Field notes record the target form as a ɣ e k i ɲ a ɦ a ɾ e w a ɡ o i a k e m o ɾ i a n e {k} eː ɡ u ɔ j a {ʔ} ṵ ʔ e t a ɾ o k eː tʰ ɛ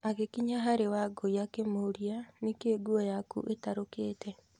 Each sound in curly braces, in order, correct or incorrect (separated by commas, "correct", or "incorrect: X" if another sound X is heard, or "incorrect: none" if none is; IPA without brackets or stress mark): correct, incorrect: k